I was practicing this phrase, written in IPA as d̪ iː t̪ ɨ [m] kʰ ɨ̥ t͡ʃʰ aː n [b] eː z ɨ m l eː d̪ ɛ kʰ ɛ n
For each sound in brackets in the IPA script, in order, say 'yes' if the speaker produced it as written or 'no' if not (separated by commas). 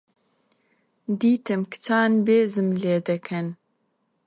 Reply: yes, yes